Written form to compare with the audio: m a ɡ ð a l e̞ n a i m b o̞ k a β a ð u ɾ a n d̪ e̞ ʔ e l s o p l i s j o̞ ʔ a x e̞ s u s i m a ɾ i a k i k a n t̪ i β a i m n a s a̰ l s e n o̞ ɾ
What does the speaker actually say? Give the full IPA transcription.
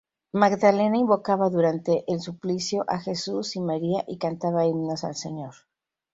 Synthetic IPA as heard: m a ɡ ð a l e̞ n a i m b o̞ k a β a ð u ɾ a n t̪ e̞ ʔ e l s u p l i s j o̞ ʔ a x e̞ s u s i m a ɾ i a ʔ i k a n t̪ a β a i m n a s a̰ l s e ɲ o̞ ɾ